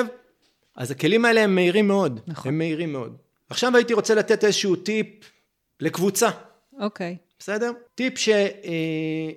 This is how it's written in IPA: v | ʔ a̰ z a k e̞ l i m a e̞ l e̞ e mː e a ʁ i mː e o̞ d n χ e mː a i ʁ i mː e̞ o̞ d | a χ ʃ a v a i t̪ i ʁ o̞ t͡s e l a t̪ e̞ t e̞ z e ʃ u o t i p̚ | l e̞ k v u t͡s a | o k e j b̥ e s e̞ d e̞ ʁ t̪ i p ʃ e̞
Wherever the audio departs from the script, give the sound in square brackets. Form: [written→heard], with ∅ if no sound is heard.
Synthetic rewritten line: v | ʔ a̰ z a k e̞ l i m a e̞ l e̞ e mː e [a→i] ʁ i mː e o̞ d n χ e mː [a→e] i ʁ i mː e̞ o̞ d | a χ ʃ a v a i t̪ i ʁ o̞ t͡s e l a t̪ e̞ t e̞ z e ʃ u [o→u] t i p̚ | l e̞ k v u t͡s a | o k e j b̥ e s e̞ d e̞ ʁ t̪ i p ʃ e̞